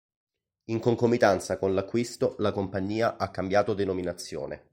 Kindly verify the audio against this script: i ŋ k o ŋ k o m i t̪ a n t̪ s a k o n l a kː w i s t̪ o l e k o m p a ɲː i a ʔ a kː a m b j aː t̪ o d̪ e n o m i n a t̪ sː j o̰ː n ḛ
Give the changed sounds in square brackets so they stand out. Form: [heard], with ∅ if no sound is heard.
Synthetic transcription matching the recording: i ŋ k o ŋ k o m i t̪ a n t̪ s a k o n l a kː w i s t̪ o l [a] k o m p a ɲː [iː] a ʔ a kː a m b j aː t̪ o d̪ e n o m i n a t̪ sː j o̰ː n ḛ